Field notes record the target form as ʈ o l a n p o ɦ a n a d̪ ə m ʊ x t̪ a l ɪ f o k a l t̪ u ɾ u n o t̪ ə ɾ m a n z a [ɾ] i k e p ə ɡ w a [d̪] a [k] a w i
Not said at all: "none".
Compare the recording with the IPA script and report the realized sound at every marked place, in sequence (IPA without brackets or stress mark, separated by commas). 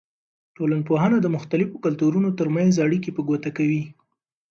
ɽ, t̪, k